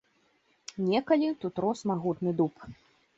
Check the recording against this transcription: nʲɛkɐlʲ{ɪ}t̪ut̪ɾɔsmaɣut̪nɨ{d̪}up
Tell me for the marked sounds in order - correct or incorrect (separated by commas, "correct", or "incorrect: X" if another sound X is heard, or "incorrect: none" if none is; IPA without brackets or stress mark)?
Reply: incorrect: i, correct